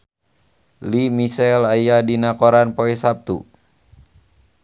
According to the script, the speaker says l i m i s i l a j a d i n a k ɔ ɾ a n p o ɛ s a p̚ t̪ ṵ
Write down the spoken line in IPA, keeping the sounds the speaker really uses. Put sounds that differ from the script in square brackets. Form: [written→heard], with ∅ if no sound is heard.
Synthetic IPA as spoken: l i m i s [i→ɛ] l a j a d i n a k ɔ ɾ a n p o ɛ s a p̚ t̪ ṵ